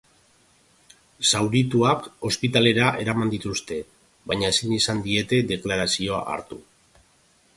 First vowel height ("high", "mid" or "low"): low